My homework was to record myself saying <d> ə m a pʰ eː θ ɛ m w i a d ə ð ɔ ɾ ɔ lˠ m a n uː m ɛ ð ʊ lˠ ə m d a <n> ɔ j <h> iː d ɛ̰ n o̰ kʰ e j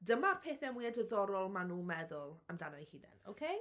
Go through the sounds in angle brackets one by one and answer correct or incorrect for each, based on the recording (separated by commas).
correct, correct, correct